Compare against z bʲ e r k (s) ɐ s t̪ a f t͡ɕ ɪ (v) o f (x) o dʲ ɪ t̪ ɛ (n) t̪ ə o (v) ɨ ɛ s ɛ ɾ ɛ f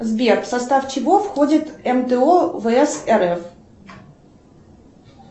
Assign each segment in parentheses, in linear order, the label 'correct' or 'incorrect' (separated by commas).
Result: correct, correct, correct, incorrect, correct